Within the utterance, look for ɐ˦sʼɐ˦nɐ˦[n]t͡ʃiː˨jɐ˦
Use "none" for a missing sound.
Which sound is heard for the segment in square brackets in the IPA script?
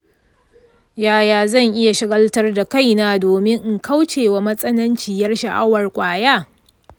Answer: n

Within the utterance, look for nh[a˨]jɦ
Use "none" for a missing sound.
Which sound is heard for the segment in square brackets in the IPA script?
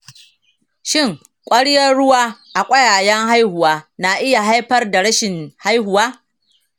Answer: a˦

